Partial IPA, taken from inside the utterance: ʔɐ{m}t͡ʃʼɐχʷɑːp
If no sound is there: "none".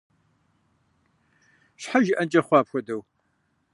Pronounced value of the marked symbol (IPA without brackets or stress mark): n